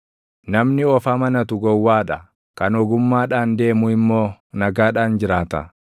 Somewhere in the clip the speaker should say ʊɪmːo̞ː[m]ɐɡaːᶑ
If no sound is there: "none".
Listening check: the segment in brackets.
n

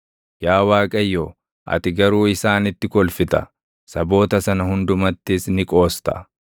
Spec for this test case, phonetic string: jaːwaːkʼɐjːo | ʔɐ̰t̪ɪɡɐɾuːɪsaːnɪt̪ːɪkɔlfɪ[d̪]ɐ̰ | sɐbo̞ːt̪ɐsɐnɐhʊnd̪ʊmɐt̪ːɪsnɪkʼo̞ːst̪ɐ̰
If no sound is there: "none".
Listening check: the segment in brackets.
t̪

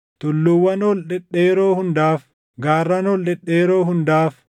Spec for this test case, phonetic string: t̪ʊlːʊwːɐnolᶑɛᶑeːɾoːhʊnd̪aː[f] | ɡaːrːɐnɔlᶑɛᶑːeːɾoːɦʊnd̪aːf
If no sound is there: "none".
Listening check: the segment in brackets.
f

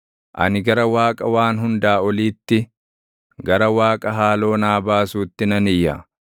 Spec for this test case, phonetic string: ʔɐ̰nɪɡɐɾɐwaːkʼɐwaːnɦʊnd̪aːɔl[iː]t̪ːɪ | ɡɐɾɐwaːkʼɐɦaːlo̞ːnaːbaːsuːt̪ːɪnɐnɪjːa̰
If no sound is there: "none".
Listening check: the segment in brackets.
iː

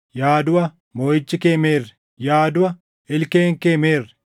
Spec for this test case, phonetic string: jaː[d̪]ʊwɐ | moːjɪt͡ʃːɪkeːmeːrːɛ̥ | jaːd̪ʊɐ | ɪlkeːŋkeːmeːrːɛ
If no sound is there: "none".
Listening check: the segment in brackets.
d̪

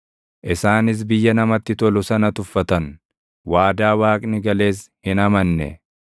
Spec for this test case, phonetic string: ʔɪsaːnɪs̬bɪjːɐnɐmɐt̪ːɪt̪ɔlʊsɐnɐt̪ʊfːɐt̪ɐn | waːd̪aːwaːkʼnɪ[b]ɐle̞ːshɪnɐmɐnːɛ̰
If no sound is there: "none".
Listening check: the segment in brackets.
ɡ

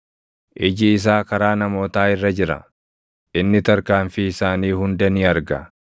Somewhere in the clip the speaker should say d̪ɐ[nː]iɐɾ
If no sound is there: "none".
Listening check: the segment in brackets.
n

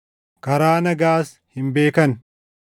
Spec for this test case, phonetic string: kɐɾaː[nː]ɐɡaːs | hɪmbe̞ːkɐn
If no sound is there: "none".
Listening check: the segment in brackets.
n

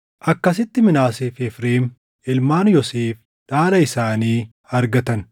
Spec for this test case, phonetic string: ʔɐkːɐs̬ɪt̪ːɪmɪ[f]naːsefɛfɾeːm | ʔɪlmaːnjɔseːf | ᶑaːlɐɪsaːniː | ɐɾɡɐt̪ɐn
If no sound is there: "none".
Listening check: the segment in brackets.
none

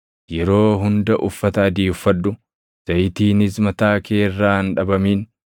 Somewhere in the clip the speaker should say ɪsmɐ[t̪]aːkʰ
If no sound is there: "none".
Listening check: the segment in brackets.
t̪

